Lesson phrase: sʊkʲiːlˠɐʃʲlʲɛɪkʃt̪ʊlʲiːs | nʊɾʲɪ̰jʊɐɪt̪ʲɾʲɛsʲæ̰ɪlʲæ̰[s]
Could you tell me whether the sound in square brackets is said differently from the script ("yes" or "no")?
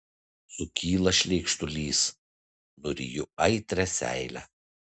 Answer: yes